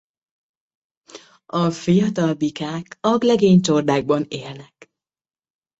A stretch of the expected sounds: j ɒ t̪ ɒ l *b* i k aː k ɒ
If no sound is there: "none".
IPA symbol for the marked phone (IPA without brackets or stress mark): b